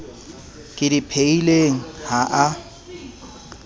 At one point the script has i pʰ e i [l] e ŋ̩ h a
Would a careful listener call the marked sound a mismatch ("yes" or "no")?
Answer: no